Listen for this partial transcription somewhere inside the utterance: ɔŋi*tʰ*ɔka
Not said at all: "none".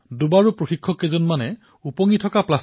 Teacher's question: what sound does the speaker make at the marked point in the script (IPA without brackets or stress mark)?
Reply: tʰ